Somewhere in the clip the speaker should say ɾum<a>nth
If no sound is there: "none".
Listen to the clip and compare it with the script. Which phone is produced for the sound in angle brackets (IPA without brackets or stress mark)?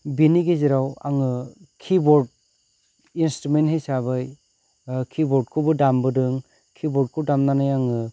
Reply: e